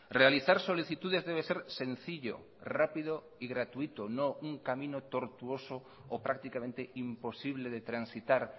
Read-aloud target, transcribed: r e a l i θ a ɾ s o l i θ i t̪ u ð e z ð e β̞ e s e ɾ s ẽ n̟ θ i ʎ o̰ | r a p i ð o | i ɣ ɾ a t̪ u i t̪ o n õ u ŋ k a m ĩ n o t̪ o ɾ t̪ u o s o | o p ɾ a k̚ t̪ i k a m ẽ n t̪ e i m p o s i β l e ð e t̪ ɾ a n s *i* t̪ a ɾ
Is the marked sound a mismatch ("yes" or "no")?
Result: no